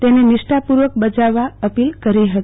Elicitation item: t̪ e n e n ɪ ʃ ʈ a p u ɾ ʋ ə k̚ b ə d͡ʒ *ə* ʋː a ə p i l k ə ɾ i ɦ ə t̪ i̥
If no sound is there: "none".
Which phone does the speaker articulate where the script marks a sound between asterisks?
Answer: a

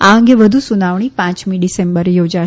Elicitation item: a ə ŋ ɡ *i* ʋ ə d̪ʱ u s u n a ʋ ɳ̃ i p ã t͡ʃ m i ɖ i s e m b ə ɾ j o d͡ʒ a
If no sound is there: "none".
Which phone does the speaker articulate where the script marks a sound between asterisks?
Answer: e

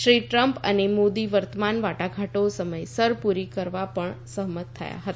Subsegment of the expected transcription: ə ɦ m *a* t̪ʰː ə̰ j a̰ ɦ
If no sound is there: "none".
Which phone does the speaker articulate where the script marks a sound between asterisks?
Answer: ə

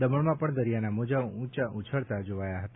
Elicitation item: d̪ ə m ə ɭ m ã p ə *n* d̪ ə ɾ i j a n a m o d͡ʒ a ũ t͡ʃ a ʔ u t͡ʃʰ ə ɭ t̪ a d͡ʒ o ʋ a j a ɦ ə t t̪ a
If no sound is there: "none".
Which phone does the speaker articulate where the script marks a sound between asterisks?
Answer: ɳ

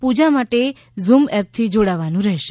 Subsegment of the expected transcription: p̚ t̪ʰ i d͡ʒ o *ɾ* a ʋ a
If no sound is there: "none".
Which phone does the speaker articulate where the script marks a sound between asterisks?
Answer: ɽ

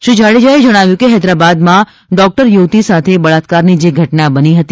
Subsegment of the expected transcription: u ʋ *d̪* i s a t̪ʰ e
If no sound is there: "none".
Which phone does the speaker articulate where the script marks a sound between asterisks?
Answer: t̪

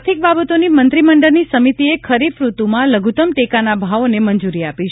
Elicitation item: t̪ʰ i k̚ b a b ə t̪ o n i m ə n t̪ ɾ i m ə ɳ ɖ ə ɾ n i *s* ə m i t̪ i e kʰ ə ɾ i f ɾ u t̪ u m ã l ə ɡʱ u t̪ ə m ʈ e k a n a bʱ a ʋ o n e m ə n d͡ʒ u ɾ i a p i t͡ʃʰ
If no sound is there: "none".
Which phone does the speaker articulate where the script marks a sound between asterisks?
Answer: s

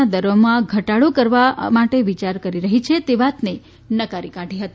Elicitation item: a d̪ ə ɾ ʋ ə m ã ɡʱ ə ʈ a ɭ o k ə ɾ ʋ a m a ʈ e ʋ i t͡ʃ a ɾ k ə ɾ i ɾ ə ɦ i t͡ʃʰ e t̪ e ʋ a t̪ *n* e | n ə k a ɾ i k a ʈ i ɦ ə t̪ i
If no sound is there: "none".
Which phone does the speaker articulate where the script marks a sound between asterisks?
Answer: n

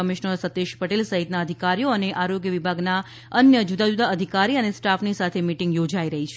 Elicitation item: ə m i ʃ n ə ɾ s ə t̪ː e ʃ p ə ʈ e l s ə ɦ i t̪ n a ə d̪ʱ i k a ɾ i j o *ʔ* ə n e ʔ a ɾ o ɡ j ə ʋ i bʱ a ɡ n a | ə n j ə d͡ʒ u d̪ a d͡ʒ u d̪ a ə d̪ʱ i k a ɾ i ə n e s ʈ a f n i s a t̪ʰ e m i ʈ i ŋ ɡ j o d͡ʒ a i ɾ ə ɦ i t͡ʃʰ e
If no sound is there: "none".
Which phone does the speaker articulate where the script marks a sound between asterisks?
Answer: none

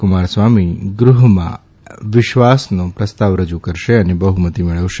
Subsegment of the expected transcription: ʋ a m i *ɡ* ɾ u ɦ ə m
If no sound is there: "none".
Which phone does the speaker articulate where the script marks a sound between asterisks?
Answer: ɡ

